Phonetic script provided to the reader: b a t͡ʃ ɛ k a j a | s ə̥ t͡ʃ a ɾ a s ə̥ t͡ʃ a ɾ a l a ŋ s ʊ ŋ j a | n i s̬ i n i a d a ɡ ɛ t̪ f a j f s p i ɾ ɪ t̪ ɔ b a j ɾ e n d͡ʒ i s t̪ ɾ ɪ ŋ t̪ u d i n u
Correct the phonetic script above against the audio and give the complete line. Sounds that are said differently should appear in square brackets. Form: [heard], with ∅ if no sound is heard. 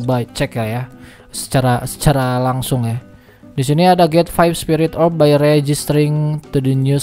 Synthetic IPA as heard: b a t͡ʃ ɛ k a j a | s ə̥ t͡ʃ a ɾ a s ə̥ t͡ʃ a ɾ a l a ŋ s ʊ ŋ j a | [d] i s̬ i n i a d a ɡ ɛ t̪ f a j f s p i ɾ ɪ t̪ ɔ b a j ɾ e [∅] d͡ʒ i s t̪ ɾ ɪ ŋ t̪ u d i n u

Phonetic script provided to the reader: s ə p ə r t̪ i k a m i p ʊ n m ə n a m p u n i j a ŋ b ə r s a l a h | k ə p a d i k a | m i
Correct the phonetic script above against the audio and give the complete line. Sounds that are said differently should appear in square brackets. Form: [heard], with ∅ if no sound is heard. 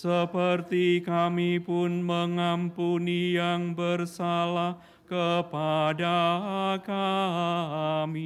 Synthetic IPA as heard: s ə p ə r t̪ i k a m i p ʊ n m ə [ŋ] a m p u n i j a ŋ b ə r s a l a h | k ə p a d [a] k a | m i

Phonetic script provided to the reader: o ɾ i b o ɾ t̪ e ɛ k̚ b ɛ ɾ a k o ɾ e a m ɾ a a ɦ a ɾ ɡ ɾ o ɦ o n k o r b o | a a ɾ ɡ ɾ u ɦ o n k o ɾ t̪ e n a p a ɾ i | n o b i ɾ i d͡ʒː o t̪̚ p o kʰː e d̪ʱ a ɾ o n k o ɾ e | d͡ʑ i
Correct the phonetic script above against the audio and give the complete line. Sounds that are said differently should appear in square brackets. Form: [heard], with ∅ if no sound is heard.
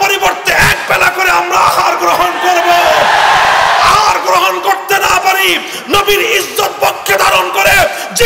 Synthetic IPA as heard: o ɾ i b o ɾ t̪ e ɛ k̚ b ɛ [l] a k o ɾ e a m ɾ a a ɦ a ɾ ɡ ɾ o ɦ o n k o [ɾ] b o | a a ɾ ɡ ɾ [o] ɦ o n k o ɾ t̪ e n a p a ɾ i | n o b i ɾ i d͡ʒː o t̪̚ p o kʰː e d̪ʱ a ɾ o n k o ɾ e | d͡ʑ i

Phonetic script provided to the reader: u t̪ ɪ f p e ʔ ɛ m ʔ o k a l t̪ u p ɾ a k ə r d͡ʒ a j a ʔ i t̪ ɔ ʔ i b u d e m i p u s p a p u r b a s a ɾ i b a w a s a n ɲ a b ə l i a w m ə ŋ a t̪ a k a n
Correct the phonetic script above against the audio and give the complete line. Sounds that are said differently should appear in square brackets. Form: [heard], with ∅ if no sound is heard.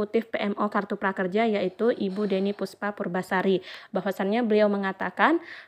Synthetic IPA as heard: u t̪ ɪ f p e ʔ ɛ m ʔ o k a [r] t̪ u p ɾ a k ə r d͡ʒ a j a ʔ i t̪ [u] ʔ i b u d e [n] i p u s p a p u r b a s a ɾ i b a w a s a n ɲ a b ə l i a w m ə ŋ a t̪ a k a n

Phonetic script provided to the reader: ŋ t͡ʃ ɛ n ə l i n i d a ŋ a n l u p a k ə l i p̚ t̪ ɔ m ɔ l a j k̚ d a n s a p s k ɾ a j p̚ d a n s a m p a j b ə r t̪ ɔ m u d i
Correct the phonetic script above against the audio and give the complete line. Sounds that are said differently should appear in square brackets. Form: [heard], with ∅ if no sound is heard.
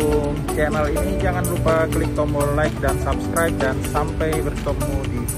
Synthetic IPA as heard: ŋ t͡ʃ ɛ n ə l i n i [d͡ʒ] a ŋ a n l u p a k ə l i [k̚] t̪ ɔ m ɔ l a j k̚ d a n s a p s k ɾ a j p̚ d a n s a m p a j b ə r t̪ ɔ m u d i

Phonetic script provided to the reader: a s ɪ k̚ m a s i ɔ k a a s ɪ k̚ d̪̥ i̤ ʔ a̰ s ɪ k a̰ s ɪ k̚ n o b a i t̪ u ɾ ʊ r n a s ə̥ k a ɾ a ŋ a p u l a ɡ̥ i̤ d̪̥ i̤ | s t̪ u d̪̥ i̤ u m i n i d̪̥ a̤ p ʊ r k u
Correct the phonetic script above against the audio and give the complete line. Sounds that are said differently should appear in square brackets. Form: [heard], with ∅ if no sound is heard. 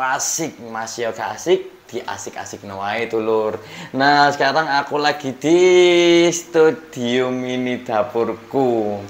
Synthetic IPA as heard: a s ɪ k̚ m a s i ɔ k a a s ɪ k̚ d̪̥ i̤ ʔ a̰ s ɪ k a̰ s ɪ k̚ n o [w] a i t̪ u [l] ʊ r n a s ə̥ k a ɾ a ŋ a [k] u l a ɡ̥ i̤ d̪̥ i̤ | s t̪ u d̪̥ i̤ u m i n i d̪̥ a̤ p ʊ r k u

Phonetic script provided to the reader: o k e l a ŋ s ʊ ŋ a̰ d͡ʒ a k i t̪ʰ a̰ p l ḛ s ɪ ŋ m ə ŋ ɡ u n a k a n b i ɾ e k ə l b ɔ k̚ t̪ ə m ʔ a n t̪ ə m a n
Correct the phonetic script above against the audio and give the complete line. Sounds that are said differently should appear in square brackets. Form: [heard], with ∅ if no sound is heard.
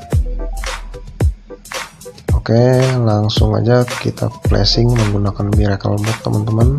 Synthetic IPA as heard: o k e l a ŋ s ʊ ŋ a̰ d͡ʒ a k i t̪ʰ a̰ p l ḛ s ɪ ŋ m ə ŋ ɡ u n a k a n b i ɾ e k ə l b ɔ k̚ t̪ ə m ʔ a n t̪ ə m a n

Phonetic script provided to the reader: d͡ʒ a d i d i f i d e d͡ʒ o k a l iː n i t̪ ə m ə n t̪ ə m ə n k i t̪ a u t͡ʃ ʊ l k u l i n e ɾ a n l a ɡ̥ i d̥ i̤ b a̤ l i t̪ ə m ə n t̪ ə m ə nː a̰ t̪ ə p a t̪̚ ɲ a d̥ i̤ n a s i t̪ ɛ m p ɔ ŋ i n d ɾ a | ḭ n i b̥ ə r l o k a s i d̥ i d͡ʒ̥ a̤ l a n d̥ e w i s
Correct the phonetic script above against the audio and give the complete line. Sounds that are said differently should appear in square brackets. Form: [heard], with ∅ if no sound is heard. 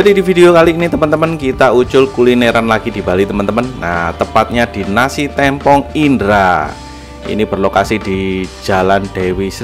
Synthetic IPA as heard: d͡ʒ a d i d i f i d e [∅] o k a l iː n i t̪ ə m ə n t̪ ə m ə n k i t̪ a u t͡ʃ ʊ l k u l i n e ɾ a n l a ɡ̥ i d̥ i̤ b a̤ l i t̪ ə m ə n t̪ ə m ə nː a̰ t̪ ə p a t̪̚ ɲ a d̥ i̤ n a s i t̪ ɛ m p ɔ ŋ i n d ɾ a | ḭ n i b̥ ə r l o k a s i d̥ i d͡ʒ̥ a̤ l a n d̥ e w i s

